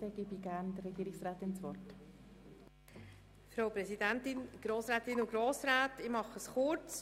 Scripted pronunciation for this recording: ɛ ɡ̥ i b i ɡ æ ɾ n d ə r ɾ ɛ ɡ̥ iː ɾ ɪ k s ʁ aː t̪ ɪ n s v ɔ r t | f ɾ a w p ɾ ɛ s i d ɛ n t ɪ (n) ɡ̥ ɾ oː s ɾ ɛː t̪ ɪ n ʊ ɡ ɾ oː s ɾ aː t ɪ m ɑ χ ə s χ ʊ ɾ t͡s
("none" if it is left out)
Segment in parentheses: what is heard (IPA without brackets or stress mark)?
n